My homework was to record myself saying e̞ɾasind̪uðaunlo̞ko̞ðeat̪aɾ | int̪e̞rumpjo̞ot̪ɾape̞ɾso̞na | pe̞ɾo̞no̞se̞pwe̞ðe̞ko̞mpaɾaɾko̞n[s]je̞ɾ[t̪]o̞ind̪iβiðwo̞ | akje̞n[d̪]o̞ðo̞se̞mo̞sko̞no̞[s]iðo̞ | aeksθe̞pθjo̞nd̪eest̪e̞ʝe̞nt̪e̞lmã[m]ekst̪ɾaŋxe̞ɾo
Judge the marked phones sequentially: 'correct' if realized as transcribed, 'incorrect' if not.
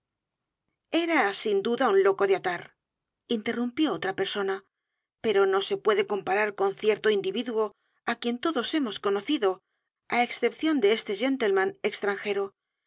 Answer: incorrect: θ, correct, incorrect: t̪, incorrect: θ, incorrect: n

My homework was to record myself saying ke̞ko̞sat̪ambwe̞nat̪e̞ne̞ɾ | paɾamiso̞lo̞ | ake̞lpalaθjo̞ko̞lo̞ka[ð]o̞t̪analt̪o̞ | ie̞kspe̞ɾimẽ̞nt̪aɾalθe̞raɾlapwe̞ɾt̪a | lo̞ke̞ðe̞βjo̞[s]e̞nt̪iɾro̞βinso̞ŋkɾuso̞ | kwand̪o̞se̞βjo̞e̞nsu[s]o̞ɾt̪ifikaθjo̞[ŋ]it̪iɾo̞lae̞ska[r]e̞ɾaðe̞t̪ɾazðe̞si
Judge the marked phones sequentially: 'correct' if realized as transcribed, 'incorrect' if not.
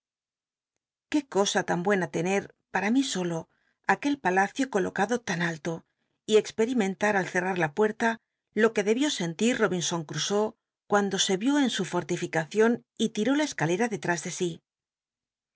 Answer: correct, correct, incorrect: f, incorrect: n, incorrect: l

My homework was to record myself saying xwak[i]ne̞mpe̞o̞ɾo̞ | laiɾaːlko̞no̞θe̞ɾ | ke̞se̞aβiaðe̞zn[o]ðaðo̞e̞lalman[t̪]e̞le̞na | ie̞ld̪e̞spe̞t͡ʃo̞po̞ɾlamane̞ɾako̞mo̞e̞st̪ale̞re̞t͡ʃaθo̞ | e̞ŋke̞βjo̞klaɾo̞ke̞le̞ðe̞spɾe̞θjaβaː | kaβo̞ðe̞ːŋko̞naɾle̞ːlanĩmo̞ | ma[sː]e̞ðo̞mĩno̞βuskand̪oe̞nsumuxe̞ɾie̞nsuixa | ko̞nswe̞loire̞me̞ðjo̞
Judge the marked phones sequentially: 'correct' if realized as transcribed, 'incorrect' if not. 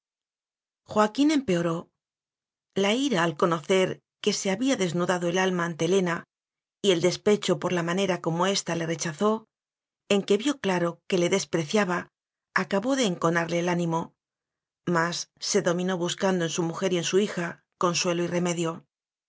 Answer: correct, incorrect: u, correct, correct

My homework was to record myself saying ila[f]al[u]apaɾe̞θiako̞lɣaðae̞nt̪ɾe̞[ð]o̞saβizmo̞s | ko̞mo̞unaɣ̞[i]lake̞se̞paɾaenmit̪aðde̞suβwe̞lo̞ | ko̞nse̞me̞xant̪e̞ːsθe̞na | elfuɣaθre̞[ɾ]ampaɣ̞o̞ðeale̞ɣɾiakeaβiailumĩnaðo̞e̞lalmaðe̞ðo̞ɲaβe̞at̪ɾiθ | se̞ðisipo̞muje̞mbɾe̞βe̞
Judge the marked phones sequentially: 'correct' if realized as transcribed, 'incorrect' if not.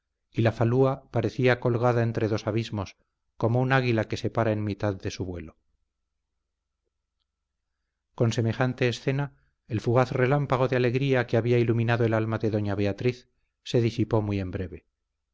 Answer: correct, correct, correct, correct, incorrect: l

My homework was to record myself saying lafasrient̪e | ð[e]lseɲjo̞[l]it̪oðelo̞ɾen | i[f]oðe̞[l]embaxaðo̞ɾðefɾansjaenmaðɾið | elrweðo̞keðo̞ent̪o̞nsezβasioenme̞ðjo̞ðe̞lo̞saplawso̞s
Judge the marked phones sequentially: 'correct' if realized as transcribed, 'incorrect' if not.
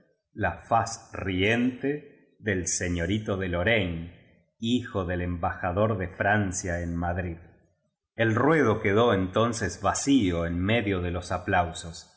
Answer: correct, incorrect: ɾ, incorrect: x, correct

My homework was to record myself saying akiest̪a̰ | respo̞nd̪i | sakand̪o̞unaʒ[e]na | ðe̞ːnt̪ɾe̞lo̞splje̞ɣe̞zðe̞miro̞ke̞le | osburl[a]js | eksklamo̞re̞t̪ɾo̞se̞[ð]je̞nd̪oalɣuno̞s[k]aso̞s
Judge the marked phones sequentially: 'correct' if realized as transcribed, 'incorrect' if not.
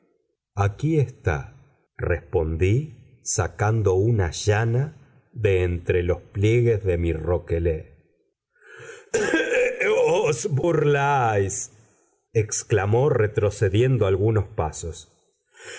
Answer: incorrect: a, correct, correct, incorrect: p

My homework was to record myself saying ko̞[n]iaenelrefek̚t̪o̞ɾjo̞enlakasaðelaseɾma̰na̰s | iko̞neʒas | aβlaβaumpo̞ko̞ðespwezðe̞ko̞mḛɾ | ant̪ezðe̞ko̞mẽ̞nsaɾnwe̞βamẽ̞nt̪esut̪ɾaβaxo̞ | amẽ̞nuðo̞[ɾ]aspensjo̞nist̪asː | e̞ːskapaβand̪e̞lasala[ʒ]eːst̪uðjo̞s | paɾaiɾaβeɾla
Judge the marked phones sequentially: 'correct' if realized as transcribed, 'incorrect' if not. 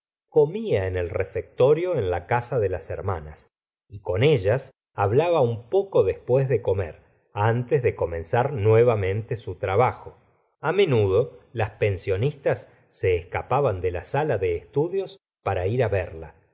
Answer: incorrect: m, incorrect: l, incorrect: ð

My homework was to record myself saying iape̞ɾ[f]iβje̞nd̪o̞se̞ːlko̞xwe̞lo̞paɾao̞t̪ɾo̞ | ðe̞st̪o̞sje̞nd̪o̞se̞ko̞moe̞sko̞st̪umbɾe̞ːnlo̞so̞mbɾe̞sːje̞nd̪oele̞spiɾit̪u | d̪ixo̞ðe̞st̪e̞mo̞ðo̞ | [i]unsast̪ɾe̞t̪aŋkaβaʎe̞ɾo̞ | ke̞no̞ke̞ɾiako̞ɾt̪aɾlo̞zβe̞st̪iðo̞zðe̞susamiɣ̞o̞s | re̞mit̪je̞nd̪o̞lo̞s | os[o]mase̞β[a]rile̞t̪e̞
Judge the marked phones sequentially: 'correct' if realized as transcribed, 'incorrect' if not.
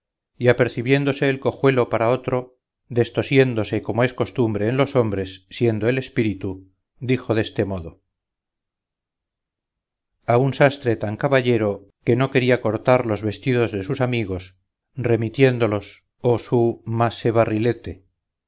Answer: incorrect: θ, incorrect: a, incorrect: u, correct

